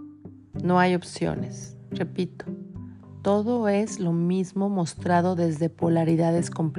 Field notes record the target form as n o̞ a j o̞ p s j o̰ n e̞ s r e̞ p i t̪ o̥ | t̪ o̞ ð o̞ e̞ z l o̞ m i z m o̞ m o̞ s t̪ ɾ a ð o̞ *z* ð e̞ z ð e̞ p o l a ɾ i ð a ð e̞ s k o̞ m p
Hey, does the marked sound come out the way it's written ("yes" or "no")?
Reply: no